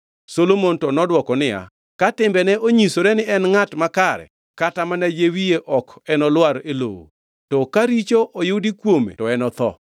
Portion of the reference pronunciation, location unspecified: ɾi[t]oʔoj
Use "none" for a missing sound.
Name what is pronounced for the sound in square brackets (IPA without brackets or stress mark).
t͡ʃ